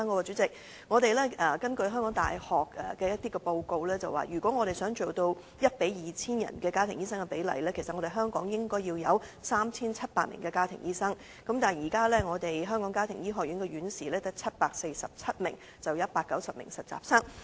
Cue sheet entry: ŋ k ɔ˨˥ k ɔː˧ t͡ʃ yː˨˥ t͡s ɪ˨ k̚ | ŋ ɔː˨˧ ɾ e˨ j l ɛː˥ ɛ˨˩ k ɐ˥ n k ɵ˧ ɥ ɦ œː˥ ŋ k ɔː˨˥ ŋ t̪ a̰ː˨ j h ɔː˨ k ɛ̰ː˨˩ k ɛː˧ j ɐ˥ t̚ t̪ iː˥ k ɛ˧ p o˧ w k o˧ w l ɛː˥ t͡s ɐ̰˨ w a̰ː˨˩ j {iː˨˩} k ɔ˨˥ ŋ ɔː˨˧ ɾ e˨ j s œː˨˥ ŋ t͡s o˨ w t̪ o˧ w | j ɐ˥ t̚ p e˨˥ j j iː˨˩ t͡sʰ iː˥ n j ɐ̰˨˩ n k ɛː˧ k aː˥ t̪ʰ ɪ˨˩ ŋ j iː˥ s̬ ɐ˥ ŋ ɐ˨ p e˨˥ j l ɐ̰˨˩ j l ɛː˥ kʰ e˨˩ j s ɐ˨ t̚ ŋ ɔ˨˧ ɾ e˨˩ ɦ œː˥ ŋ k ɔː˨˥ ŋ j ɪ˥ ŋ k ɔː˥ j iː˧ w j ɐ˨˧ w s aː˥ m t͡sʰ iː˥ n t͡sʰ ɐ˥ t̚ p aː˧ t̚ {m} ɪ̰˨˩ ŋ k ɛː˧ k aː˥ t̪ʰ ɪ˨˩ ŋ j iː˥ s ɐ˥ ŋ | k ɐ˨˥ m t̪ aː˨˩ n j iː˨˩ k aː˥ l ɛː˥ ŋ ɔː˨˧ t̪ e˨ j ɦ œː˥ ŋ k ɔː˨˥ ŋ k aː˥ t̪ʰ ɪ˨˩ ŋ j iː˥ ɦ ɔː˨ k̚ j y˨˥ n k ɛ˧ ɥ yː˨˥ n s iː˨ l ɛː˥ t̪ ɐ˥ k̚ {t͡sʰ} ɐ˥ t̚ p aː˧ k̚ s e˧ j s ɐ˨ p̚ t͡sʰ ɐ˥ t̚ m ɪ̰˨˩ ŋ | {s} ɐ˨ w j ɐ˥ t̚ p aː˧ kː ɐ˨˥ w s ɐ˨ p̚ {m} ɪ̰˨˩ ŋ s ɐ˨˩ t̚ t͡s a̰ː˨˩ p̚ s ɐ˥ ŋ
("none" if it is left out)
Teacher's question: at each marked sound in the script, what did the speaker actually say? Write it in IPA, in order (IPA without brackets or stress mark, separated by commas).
yː˨˩, m, t͡sʰ, t͡s, m